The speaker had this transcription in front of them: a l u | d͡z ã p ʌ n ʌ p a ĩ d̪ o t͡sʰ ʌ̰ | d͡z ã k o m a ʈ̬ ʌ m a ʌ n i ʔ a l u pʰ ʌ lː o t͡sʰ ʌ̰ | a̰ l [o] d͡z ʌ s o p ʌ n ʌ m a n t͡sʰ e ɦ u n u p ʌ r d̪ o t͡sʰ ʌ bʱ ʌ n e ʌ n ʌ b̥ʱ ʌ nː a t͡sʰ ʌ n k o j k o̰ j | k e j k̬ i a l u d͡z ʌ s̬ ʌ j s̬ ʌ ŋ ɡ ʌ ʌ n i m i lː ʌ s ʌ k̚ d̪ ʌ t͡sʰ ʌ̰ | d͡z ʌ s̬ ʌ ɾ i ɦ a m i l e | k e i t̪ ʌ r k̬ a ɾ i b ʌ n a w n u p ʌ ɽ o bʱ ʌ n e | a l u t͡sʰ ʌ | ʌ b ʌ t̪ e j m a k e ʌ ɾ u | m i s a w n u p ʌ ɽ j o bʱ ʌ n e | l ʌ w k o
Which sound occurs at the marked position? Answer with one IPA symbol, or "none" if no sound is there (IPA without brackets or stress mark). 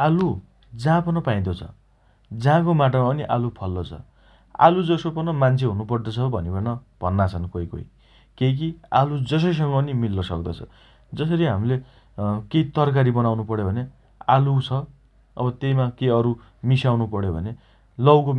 u